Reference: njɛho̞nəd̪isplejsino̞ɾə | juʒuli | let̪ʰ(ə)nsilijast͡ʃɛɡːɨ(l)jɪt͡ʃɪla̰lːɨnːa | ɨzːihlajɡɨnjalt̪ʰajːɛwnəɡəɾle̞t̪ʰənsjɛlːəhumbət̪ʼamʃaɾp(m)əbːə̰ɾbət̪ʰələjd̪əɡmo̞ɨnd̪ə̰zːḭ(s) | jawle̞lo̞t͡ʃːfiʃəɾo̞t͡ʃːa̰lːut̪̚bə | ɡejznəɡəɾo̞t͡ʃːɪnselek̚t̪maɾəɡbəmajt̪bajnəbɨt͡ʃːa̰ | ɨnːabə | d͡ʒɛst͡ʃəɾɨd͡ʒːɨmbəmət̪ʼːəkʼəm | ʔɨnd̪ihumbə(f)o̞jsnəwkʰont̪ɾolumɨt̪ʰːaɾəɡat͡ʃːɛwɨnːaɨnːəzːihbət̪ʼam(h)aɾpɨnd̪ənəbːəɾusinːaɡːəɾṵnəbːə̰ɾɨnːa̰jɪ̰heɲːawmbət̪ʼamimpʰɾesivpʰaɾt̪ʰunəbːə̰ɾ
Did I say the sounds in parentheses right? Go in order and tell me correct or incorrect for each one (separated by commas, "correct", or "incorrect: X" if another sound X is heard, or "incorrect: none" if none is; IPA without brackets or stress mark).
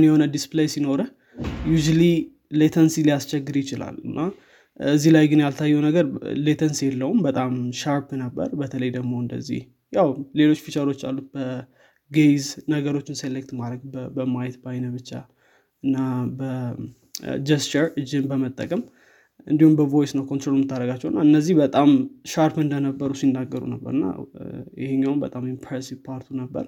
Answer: correct, incorrect: ɾ, incorrect: n, incorrect: h, incorrect: v, incorrect: ʃ